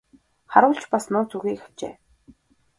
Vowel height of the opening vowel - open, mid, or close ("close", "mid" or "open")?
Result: open